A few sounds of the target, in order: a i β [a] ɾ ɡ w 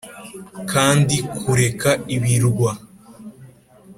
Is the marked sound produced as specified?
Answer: no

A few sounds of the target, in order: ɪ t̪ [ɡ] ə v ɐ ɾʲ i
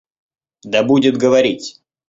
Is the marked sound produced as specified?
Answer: yes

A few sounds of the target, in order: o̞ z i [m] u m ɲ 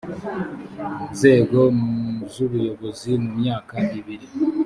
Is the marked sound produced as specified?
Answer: yes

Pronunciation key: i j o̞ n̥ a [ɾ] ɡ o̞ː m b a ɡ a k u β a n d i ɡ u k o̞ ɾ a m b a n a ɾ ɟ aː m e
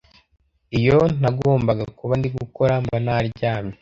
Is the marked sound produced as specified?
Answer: no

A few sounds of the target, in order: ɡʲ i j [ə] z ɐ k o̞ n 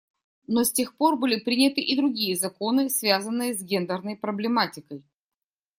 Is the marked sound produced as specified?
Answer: yes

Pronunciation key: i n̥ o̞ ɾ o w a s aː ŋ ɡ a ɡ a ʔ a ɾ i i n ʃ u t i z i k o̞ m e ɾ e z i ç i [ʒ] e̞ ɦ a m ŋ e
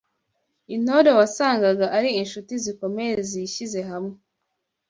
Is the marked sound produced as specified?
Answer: no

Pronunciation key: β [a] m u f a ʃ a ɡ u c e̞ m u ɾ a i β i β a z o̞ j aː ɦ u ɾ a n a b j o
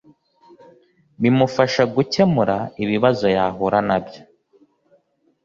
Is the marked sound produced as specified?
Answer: no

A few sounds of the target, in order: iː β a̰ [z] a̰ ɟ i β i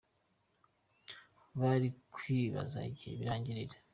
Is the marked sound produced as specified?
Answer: yes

